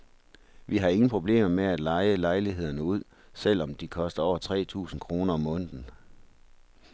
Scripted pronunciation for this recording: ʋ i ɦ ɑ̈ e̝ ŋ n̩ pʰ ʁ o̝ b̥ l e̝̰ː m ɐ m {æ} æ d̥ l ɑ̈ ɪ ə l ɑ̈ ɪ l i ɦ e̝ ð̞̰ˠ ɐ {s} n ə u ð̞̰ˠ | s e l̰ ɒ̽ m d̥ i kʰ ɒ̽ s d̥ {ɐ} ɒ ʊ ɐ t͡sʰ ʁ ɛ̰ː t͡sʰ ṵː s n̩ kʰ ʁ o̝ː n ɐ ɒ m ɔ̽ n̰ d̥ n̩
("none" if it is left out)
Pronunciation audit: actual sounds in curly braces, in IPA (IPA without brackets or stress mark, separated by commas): e, none, ɐ